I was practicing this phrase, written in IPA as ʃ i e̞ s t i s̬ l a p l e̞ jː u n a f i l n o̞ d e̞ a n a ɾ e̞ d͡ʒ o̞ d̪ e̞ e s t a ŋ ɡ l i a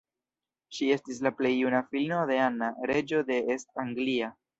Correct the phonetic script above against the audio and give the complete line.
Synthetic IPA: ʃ i e̞ s t i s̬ l a p l e̞ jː u n a f i l n o̞ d e̞ a n a ɾ e̞ d͡ʒ o̞ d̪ e̞ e s t a ŋ ɡ l i a